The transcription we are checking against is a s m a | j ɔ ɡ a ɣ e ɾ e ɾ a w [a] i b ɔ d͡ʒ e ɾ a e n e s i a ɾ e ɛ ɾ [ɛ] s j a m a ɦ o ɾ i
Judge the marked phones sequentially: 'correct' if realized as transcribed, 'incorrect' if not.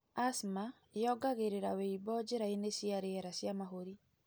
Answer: incorrect: e, incorrect: a

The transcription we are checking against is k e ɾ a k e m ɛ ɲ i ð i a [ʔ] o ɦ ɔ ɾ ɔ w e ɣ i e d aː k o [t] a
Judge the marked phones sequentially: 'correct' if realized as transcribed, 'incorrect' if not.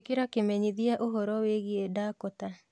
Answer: correct, correct

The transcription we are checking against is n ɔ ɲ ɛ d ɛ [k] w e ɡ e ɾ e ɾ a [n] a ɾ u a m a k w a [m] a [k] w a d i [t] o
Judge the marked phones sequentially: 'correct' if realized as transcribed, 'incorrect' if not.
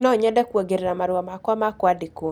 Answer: correct, incorrect: m, correct, correct, incorrect: k

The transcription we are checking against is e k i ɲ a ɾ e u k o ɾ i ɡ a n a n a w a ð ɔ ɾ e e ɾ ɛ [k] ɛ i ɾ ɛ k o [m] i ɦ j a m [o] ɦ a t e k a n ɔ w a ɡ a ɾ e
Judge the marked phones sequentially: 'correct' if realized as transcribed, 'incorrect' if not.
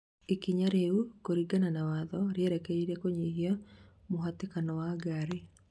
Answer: correct, incorrect: ɲ, correct

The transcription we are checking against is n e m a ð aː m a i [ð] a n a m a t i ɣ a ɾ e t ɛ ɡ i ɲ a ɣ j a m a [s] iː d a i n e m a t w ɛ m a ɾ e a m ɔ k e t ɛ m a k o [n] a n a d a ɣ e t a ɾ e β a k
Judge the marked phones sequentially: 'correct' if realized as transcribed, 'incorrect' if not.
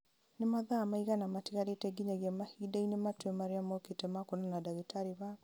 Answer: incorrect: ɣ, incorrect: h, correct

